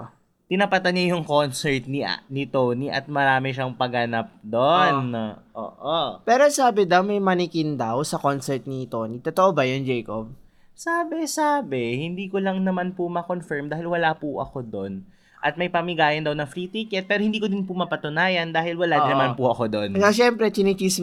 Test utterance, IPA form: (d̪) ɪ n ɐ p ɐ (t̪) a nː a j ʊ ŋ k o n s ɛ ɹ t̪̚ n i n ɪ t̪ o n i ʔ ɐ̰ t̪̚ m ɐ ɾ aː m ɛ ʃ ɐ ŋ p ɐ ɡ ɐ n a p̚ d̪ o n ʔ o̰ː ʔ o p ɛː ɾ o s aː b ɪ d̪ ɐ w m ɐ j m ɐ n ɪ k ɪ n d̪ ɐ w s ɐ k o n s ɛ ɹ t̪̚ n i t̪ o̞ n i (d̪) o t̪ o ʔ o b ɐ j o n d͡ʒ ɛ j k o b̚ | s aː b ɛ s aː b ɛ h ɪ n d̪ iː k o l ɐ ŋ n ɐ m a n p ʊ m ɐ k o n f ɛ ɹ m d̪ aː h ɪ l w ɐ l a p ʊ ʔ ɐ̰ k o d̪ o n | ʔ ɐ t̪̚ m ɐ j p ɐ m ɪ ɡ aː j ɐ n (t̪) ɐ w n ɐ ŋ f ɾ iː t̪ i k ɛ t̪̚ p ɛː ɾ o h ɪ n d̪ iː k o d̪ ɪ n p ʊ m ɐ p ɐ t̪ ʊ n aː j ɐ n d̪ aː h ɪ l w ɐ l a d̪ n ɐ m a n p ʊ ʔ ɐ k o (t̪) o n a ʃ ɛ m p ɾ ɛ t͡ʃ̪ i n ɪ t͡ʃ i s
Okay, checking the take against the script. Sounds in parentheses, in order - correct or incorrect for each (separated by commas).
incorrect, correct, incorrect, incorrect, incorrect